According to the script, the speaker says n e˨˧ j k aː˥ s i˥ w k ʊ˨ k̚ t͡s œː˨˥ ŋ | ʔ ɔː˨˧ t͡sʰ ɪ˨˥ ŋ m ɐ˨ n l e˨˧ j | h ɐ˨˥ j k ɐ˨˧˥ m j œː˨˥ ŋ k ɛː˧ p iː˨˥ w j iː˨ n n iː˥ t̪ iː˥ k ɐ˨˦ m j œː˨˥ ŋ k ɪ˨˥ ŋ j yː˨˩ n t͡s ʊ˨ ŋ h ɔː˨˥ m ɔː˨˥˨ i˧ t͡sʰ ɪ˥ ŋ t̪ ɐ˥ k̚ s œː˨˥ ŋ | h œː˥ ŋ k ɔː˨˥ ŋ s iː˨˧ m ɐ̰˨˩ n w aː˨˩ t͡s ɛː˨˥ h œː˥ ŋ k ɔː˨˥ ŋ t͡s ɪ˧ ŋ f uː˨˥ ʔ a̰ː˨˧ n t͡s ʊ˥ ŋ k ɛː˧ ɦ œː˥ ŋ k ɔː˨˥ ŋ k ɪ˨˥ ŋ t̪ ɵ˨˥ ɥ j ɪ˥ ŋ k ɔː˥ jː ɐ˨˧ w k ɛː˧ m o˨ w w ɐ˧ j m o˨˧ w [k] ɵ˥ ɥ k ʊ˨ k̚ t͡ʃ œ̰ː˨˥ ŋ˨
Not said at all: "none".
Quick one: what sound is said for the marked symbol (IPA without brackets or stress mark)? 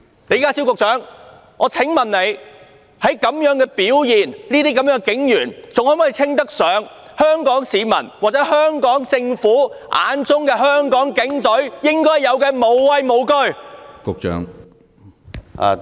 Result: k